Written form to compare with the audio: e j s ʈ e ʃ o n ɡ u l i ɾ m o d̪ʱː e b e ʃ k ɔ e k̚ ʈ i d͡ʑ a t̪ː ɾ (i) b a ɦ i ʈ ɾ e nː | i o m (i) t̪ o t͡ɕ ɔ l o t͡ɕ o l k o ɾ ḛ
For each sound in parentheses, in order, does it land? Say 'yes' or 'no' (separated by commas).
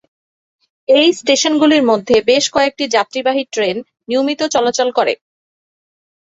yes, yes